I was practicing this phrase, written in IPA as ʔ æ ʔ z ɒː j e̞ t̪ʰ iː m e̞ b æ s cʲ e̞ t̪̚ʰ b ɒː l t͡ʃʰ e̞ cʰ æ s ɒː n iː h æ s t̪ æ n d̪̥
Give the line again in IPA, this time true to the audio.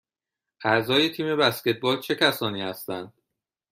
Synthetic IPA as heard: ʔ æ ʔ z ɒː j e̞ t̪ʰ iː m e̞ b æ s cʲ e̞ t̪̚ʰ b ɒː l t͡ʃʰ e̞ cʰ æ s ɒː n iː h æ s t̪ æ n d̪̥